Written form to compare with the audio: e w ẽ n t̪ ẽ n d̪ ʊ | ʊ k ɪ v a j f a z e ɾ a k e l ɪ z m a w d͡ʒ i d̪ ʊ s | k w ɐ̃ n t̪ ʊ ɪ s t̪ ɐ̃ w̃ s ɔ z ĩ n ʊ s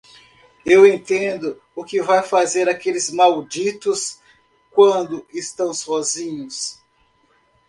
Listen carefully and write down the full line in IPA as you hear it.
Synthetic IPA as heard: e w ẽ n t̪ ẽ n d̪ ʊ | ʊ k ɪ v a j f a z e ɾ a k e l ɪ z m a w d͡ʒ i t̪ ʊ s | k w ɐ̃ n d̪ ʊ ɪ s t̪ ɐ̃ w̃ s ɔ z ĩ ɲ ʊ s